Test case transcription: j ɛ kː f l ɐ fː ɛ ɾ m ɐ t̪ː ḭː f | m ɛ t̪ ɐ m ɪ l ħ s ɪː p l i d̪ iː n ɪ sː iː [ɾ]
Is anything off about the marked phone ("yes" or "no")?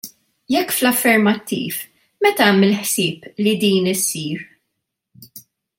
no